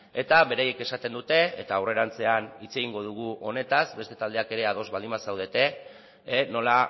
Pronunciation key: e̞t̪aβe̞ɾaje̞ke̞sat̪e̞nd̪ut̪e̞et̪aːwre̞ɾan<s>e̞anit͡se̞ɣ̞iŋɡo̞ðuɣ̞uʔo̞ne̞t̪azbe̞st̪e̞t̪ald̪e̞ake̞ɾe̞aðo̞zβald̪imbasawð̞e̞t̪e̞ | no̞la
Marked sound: incorrect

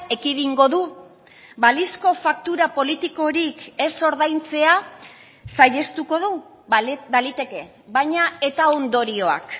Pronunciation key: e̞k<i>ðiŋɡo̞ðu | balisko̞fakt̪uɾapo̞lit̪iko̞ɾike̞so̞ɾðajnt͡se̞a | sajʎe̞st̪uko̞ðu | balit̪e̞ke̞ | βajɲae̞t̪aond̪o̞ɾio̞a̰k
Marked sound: correct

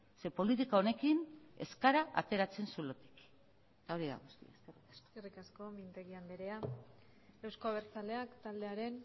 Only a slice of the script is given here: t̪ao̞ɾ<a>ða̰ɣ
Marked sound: incorrect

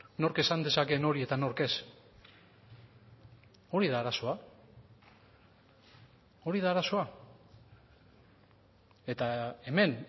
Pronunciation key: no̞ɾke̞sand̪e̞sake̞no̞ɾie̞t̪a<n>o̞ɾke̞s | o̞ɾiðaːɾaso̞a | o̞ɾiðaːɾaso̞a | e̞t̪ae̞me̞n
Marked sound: correct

